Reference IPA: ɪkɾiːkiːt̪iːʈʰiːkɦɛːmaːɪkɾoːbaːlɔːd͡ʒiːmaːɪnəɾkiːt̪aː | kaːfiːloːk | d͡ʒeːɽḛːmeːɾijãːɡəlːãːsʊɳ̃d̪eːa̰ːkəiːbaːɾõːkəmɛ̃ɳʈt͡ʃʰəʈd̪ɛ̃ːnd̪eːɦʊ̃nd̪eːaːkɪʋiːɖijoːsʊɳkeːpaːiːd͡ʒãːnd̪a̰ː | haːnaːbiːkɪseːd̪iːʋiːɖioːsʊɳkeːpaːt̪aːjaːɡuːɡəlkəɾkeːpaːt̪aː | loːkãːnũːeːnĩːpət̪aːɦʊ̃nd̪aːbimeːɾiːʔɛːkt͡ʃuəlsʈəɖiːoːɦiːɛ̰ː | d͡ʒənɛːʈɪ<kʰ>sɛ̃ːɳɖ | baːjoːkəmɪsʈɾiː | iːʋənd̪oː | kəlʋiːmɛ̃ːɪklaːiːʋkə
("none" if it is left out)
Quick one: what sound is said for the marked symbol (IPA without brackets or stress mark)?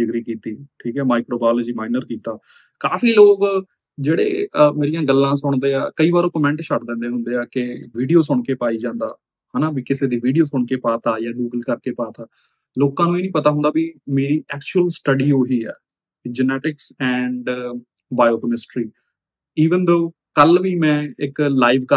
k